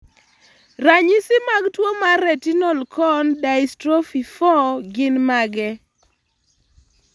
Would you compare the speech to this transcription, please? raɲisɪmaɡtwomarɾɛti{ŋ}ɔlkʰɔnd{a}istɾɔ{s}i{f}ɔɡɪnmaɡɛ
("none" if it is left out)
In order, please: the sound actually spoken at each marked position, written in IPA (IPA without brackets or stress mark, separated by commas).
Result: n, a, f, f